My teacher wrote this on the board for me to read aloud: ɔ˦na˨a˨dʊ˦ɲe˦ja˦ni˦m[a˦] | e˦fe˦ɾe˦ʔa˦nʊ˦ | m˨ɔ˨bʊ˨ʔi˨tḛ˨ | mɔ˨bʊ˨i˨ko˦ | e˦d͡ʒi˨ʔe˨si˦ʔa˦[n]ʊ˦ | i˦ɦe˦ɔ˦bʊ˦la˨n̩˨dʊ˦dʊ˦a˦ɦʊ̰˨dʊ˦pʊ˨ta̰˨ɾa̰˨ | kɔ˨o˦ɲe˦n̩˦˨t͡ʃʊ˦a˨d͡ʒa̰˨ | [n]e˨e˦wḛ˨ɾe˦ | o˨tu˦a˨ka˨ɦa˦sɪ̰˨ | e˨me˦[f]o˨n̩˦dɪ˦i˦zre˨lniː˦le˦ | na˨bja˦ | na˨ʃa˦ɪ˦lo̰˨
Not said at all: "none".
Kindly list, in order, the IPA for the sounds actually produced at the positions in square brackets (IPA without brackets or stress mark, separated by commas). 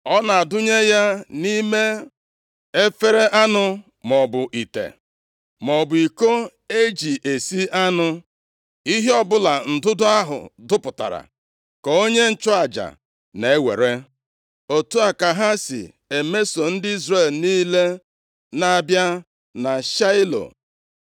e˦, n, n, s